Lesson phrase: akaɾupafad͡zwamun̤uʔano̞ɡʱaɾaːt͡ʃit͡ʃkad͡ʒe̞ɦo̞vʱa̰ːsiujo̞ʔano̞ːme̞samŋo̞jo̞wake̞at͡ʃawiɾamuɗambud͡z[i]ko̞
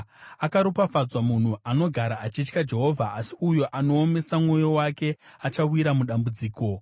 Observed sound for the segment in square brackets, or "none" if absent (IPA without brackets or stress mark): iː